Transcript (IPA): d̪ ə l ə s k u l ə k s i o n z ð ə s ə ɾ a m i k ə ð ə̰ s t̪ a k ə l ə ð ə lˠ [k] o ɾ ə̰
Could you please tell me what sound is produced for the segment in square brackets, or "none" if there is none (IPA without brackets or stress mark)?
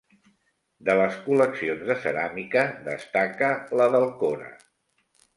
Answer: k